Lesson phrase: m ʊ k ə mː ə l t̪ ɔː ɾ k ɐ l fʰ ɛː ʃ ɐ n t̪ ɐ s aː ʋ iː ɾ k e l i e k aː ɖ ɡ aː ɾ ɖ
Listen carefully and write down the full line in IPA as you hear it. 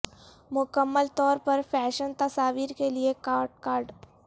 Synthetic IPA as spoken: m ʊ k ə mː ə l t̪ ɔː ɾ p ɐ ɾ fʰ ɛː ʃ ə n t̪ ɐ s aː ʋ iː ɾ k e l i e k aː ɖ k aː ɾ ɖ